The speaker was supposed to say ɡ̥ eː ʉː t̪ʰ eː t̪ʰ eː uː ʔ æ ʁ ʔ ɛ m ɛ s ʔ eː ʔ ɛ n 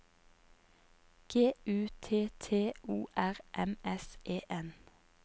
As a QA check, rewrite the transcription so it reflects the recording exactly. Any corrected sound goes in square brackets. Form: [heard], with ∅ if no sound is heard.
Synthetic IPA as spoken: ɡ̥ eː ʉː t̪ʰ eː t̪ʰ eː uː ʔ æ ʁ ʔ ɛ m ɛ s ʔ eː ʔ ɛ n